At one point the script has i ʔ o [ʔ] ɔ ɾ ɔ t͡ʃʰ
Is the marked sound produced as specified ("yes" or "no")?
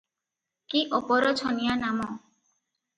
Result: no